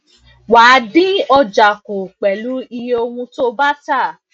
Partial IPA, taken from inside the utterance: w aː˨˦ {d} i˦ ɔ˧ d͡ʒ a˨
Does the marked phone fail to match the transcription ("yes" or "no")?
no